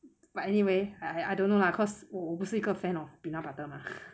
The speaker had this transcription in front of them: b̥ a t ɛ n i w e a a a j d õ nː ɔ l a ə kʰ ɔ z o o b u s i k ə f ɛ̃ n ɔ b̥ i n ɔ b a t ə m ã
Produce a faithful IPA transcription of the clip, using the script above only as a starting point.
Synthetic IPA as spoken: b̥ a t ɛ n i w e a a a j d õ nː o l a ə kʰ ɔ s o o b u s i k ə f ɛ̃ n ɔ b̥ i n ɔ b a t ə m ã